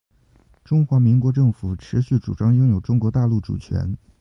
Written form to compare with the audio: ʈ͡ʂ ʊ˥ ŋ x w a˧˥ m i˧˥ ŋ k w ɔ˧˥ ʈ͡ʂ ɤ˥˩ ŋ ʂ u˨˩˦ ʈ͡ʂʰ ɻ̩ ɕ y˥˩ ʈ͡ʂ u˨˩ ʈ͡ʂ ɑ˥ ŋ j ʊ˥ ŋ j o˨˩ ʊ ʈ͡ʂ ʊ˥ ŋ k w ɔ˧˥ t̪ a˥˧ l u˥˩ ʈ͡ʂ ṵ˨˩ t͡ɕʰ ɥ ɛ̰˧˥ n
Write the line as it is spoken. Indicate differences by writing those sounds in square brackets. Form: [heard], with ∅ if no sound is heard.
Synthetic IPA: ʈ͡ʂ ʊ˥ ŋ x w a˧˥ m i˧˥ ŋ k w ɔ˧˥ ʈ͡ʂ ɤ˥˩ ŋ [f] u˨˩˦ ʈ͡ʂʰ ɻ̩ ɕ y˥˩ ʈ͡ʂ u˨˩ ʈ͡ʂ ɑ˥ ŋ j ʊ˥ ŋ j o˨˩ ʊ ʈ͡ʂ ʊ˥ ŋ k w ɔ˧˥ t̪ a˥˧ l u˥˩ ʈ͡ʂ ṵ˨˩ t͡ɕʰ ɥ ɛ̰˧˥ n

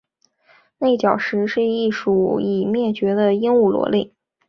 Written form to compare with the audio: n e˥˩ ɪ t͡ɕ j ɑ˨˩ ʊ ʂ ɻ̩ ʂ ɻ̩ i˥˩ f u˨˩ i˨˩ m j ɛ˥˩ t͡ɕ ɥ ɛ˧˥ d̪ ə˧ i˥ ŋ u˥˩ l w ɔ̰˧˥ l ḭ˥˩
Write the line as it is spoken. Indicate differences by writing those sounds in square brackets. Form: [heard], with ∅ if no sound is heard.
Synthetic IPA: n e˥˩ ɪ t͡ɕ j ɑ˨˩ ʊ ʂ ɻ̩ ʂ ɻ̩ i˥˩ [ʂ] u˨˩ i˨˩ m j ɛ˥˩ t͡ɕ ɥ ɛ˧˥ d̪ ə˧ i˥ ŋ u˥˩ l w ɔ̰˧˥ l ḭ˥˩

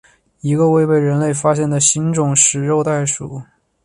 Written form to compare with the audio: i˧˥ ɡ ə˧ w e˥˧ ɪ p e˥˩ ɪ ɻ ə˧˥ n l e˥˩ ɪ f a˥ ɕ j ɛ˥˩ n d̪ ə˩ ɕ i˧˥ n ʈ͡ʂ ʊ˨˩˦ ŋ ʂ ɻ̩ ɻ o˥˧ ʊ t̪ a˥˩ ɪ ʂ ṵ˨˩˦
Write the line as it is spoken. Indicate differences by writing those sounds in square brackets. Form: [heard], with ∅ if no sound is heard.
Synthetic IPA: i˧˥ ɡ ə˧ w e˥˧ ɪ p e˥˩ ɪ ɻ ə˧˥ n l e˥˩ ɪ f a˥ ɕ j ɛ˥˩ n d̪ ə˩ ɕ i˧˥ n ʈ͡ʂ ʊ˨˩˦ ŋ ʂ ɻ̩ ɻ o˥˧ ʊ t̪ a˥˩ ɪ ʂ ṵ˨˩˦

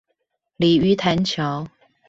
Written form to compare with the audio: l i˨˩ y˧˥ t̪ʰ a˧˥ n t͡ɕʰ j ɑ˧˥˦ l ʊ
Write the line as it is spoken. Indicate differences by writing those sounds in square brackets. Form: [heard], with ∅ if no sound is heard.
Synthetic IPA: l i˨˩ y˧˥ t̪ʰ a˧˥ n t͡ɕʰ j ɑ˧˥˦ [∅] ʊ

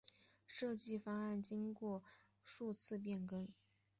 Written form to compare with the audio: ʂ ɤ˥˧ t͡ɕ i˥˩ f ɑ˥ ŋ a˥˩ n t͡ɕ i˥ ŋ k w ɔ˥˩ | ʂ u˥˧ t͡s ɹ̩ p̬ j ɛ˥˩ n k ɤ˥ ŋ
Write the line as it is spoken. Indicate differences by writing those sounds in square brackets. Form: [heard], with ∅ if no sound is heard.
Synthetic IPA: ʂ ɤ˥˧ t͡ɕ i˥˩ f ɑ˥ ŋ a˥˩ n t͡ɕ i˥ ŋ k w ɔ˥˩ | ʂ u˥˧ [t͡sʰ] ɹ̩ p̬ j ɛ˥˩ n k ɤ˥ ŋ

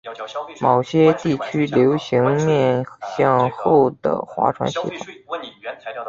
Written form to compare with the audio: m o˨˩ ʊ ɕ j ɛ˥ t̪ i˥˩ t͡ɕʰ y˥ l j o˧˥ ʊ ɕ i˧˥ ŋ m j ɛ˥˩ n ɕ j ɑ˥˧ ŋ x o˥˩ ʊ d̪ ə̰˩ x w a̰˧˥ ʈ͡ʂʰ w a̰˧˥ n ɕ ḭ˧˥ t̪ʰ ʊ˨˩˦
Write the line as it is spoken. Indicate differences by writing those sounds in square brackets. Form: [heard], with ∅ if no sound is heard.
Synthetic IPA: m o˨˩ ʊ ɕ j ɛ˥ t̪ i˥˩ t͡ɕʰ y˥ l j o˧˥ ʊ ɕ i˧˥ ŋ m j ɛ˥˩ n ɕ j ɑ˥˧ ŋ x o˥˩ ʊ d̪ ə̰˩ x w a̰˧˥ ʈ͡ʂʰ w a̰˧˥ n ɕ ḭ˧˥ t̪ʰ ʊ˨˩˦

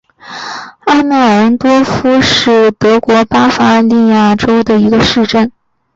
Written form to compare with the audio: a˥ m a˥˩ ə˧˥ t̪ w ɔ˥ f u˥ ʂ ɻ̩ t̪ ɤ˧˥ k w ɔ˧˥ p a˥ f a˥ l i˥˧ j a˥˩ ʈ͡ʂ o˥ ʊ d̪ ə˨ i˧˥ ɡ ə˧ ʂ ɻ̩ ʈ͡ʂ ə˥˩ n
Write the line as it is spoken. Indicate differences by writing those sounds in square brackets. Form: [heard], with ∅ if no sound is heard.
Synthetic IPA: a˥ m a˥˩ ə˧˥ t̪ w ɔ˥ f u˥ ʂ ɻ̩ t̪ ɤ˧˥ k w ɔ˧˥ p a˥ f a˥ l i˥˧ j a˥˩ ʈ͡ʂ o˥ ʊ d̪ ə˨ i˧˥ ɡ ə˧ ʂ ɻ̩ ʈ͡ʂ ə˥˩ n

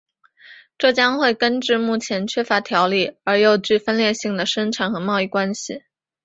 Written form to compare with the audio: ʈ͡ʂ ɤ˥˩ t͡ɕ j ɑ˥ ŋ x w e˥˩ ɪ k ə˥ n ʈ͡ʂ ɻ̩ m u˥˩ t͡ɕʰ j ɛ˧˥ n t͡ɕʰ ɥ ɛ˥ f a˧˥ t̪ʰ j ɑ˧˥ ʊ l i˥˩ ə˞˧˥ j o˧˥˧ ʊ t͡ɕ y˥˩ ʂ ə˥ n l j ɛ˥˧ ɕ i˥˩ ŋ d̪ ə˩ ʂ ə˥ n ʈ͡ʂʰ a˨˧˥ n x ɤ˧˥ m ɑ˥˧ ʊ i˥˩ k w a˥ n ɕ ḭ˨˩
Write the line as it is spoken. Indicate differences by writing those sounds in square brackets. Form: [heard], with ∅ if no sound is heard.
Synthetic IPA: ʈ͡ʂ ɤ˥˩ t͡ɕ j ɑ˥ ŋ x w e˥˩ ɪ k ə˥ n ʈ͡ʂ ɻ̩ m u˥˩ t͡ɕʰ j ɛ˧˥ n t͡ɕʰ ɥ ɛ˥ f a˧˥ t̪ʰ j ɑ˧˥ ʊ l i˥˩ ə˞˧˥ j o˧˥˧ ʊ t͡ɕ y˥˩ [f] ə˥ n l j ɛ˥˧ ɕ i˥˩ ŋ d̪ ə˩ ʂ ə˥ n ʈ͡ʂʰ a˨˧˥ n x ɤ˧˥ m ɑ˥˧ ʊ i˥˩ k w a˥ n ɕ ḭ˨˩

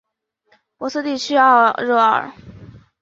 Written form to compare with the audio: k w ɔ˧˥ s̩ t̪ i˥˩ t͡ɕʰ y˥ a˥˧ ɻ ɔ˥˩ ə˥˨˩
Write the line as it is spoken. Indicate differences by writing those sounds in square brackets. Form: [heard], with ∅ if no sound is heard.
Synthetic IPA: [p] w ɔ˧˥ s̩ t̪ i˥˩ t͡ɕʰ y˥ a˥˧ ɻ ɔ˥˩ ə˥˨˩

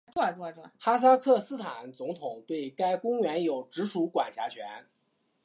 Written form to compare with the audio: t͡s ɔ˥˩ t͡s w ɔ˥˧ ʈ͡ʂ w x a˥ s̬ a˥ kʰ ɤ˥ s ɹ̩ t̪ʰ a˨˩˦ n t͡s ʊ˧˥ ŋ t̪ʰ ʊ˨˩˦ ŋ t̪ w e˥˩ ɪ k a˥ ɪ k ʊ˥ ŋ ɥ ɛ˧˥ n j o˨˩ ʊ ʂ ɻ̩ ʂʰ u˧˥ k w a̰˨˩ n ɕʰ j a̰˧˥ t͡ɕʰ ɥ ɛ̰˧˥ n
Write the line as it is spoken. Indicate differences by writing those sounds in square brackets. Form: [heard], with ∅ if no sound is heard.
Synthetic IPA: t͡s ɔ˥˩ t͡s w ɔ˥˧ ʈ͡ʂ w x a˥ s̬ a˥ kʰ [ɤ˥˩] s ɹ̩ t̪ʰ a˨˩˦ n t͡s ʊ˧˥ ŋ t̪ʰ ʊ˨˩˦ ŋ t̪ w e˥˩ ɪ k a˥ ɪ k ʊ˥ ŋ ɥ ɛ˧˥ n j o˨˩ ʊ [ʈ͡ʂ] ɻ̩ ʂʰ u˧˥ k w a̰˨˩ n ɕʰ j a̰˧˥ t͡ɕʰ ɥ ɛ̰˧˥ n

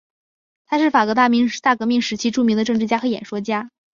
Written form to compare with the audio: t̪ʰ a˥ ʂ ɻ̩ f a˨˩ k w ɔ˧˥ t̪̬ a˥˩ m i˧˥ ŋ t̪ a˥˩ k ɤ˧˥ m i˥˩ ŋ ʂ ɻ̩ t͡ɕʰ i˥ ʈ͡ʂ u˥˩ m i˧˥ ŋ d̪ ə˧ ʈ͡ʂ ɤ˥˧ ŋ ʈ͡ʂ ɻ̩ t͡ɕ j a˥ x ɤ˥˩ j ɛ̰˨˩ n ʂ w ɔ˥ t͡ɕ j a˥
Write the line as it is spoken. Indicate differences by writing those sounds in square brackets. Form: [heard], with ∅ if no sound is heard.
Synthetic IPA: t̪ʰ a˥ ʂ ɻ̩ f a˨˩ k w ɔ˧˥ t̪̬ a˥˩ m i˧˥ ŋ t̪ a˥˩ k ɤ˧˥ m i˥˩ ŋ ʂ ɻ̩ t͡ɕʰ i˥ ʈ͡ʂ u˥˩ m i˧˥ ŋ d̪ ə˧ ʈ͡ʂ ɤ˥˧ ŋ ʈ͡ʂ ɻ̩ t͡ɕ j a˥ x [ɤ˧˥] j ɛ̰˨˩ n ʂ w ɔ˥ t͡ɕ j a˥

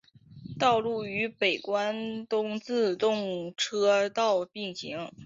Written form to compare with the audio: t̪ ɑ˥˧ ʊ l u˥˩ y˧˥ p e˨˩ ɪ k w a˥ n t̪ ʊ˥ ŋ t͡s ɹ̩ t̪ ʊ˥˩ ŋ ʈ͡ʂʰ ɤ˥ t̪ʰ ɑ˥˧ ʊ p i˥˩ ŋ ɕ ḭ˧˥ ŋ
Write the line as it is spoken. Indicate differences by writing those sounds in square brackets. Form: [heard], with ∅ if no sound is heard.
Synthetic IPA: t̪ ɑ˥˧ ʊ l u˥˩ y˧˥ p e˨˩ ɪ k w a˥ n t̪ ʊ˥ ŋ t͡s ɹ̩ t̪ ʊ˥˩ ŋ ʈ͡ʂʰ ɤ˥ [t̪] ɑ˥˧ ʊ p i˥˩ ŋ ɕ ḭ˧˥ ŋ

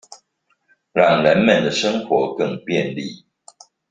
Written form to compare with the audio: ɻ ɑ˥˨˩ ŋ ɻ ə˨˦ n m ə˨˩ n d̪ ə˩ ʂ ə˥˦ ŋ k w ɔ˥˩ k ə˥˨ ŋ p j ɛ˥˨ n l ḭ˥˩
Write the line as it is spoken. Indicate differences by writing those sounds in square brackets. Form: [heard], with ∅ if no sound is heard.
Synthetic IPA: ɻ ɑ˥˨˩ ŋ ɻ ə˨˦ n m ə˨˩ n d̪ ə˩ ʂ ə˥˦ ŋ [x] w [ɔ˨˥˦] k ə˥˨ ŋ p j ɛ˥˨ n l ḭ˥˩

